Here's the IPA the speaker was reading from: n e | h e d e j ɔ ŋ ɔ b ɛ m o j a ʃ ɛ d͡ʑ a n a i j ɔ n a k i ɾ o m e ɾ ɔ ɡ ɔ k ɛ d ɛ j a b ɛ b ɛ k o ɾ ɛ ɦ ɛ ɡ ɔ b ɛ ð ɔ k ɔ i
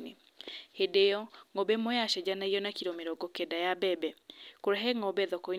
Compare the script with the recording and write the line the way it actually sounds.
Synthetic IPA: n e | h e d e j ɔ ŋ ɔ b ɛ m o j a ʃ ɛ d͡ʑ a n a i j ɔ n a k i ɾ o m e ɾ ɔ ɡ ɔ k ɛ d a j a b ɛ b ɛ k o ɾ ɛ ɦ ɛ ŋ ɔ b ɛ ð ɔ k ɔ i

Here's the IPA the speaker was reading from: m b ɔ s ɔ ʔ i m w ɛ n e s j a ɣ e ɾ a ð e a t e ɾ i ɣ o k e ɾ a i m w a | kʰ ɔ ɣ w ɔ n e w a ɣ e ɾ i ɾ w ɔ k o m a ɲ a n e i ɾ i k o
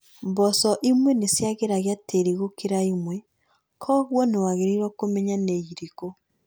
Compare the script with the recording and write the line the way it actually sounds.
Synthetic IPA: m b ɔ s ɔ ʔ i m w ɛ n e s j a ɣ e ɾ a ɣ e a t e ɾ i ɣ o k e ɾ a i m w ɛ | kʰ ɔ ɣ w ɔ n e w a ɣ e ɾ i ɾ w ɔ k o m ɛ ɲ a n e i ɾ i k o

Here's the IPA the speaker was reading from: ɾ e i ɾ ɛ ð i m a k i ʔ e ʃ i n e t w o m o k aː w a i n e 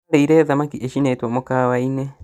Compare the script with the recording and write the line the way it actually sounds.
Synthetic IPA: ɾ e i ɾ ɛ ð a m a k i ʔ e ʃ i n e t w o m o k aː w a i n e

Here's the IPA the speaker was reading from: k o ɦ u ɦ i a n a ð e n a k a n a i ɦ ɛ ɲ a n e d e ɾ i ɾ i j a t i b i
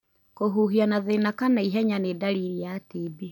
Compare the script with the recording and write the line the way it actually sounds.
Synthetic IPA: k o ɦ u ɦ i a n a ð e n a k a n a i ɦ ɛ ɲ a n e d a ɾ i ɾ i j a t i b i

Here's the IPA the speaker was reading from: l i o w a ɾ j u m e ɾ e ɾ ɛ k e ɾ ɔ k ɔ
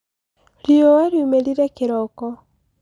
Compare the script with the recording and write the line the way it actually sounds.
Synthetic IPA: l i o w a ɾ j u m e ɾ i ɾ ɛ k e ɾ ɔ k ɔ

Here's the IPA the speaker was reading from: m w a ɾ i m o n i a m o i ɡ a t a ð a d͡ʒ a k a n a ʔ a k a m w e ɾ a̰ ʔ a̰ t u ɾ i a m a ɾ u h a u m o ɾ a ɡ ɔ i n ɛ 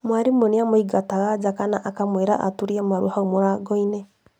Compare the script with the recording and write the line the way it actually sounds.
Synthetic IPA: m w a ɾ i m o n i a m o i ɡ a t a ɣ a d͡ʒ a k a n a ʔ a k a m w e ɾ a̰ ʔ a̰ t u ɾ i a m a ɾ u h a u m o ɾ a ɡ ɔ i n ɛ

